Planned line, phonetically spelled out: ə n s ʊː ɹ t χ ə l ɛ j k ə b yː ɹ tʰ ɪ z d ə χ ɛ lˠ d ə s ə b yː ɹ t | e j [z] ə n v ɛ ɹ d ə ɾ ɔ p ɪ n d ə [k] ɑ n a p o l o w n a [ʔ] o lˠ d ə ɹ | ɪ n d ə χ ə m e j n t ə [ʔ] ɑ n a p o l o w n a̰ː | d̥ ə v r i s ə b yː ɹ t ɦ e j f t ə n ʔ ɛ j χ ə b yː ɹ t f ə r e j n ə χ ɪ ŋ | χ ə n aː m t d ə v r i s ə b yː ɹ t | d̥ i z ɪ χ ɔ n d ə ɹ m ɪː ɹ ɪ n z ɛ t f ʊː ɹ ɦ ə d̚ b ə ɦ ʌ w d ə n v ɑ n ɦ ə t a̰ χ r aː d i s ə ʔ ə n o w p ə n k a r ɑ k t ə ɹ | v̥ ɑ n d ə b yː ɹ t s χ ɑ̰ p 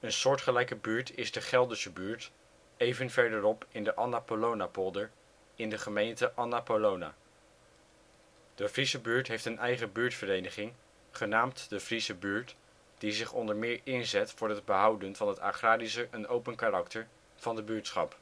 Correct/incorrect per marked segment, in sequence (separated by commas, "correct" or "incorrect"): incorrect, incorrect, incorrect, correct